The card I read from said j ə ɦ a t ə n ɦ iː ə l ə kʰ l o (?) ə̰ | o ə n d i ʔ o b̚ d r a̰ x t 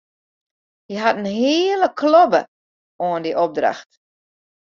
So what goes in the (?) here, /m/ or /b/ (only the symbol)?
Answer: b